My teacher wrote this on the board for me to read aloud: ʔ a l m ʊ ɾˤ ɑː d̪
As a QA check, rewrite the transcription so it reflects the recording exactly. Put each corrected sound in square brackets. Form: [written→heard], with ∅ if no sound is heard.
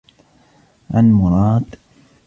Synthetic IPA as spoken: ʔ a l m ʊ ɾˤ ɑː d̪